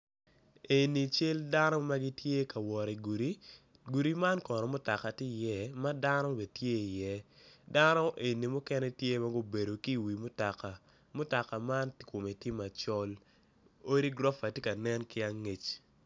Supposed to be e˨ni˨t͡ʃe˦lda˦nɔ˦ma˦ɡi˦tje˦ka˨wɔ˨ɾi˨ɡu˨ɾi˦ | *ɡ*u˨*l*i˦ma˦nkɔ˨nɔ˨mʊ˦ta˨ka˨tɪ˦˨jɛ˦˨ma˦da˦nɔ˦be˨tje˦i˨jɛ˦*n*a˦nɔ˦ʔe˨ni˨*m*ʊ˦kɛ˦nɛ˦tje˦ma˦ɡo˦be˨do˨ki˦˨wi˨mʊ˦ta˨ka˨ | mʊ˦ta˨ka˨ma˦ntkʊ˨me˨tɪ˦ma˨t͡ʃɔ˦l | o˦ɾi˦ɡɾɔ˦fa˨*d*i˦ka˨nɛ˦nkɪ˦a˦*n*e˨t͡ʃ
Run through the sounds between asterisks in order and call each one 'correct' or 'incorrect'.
correct, incorrect: ɾ, incorrect: d, correct, incorrect: t, incorrect: ŋ

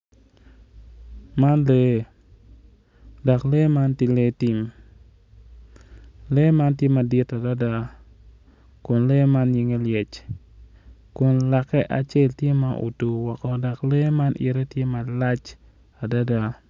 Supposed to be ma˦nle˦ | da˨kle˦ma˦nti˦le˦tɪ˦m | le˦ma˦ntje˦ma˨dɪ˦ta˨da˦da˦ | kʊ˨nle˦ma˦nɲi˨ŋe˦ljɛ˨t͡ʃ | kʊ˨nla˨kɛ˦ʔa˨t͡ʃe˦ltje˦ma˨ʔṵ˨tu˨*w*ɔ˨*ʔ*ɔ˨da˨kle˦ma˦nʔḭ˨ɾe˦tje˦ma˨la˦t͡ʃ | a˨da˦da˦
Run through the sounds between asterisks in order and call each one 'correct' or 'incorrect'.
correct, incorrect: k

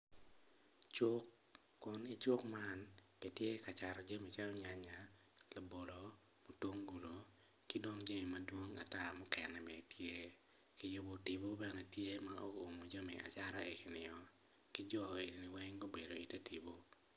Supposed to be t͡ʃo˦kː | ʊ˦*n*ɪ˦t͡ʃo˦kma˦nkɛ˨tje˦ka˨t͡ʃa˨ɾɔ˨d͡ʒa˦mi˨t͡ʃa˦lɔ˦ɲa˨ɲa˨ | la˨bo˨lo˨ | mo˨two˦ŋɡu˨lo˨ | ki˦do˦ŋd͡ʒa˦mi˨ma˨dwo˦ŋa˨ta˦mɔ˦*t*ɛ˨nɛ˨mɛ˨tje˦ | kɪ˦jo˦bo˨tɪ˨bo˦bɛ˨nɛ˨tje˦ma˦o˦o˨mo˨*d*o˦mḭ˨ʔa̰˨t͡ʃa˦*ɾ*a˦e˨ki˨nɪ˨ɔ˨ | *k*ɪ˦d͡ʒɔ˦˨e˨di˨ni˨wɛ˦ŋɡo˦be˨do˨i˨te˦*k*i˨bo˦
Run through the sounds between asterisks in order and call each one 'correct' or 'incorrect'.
correct, incorrect: k, incorrect: d͡ʒ, correct, correct, incorrect: t

